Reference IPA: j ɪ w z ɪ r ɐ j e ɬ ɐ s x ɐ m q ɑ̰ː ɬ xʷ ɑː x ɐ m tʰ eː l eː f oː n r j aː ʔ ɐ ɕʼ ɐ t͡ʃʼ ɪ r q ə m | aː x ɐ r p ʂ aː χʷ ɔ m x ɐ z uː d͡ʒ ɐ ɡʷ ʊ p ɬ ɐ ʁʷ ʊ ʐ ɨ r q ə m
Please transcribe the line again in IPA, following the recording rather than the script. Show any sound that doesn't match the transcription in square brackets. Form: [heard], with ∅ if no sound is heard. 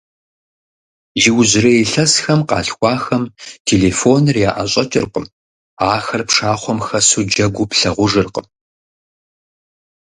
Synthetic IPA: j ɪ w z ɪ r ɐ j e ɬ ɐ s x ɐ m q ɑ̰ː ɬ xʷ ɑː x ɐ m tʰ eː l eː f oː n r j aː ʔ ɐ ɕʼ ɐ t͡ʃʼ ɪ r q ə m | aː x ɐ r p ʂ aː χʷ ɔ m x ɐ [s] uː d͡ʒ ɐ ɡʷ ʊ p ɬ ɐ ʁʷ ʊ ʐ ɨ r q ə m